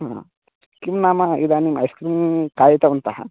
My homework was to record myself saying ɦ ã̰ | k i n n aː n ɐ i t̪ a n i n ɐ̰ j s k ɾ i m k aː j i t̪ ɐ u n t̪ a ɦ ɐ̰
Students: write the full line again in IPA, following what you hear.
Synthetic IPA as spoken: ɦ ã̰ | k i m n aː m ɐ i d̪ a n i m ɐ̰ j s k ɾ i m k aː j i t̪ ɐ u n t̪ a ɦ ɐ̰